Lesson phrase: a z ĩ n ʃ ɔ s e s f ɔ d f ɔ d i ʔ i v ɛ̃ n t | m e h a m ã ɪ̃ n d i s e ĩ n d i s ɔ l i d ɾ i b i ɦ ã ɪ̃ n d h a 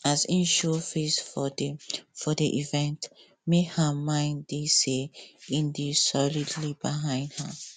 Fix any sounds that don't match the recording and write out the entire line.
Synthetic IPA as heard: a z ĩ n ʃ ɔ f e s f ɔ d f ɔ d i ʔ i v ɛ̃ n t | m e h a m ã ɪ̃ n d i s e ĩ n d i s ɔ l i d l i b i ɦ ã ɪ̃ n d h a